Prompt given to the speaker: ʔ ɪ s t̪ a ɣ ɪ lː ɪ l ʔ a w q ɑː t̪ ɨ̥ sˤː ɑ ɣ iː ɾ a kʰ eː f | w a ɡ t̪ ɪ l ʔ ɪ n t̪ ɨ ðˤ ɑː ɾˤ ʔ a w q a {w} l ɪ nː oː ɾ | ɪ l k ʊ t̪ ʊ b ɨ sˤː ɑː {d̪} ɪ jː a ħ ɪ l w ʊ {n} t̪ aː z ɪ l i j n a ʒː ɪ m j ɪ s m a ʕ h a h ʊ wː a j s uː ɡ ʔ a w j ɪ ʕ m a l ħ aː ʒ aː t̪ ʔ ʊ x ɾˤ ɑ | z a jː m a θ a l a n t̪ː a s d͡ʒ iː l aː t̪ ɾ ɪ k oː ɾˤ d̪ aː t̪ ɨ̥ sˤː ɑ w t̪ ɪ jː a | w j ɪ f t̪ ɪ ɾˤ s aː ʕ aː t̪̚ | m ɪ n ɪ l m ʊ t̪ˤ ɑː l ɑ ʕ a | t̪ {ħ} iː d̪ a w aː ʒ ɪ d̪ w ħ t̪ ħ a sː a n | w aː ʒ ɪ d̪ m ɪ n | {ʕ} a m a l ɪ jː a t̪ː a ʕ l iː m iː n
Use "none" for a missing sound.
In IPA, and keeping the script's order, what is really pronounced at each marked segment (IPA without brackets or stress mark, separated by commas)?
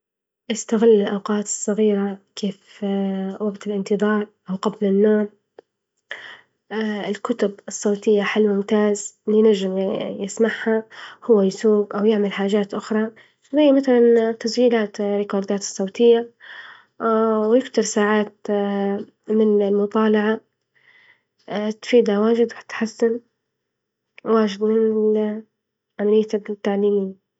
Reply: b, t̪, m, f, ʕ